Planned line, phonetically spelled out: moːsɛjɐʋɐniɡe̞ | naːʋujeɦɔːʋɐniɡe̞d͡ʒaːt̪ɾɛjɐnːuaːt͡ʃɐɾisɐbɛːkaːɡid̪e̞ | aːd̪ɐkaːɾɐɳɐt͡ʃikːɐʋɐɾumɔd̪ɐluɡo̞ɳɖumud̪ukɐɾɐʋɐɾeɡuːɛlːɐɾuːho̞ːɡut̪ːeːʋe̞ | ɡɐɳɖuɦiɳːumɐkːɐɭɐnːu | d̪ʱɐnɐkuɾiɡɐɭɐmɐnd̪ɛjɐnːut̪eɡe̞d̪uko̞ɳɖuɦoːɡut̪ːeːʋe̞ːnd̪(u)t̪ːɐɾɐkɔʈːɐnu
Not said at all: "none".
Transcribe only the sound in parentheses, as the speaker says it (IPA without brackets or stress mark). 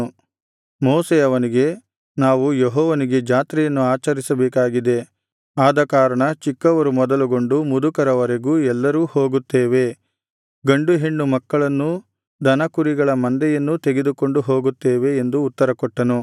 uː